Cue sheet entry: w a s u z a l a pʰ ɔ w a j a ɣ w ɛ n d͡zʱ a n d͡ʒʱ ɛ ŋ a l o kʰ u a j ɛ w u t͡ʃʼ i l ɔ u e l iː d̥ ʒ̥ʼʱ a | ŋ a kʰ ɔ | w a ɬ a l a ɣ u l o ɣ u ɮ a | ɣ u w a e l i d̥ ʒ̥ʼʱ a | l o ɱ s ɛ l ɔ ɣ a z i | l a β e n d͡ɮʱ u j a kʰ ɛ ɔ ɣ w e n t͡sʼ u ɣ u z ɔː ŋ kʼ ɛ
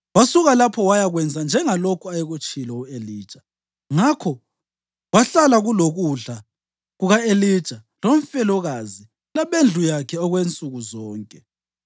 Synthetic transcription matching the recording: w a s u ɣ a l a pʰ ɔ w a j a ɣ w ɛ n d͡zʱ a n d͡ʒʱ ɛ ŋ a l o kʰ u a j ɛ ɣ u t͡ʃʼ i l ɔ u e l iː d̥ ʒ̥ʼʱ a | ŋ a kʰ ɔ | w a ɬ a l a ɣ u l o ɣ u ɮ a | ɣ u ɣ a e l i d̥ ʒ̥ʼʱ a | l o ɱ f ɛ l ɔ ɣ a z i | l a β e n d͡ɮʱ u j a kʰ ɛ ɔ ɣ w e n t͡sʼ u ɣ u z ɔː ŋ kʼ ɛ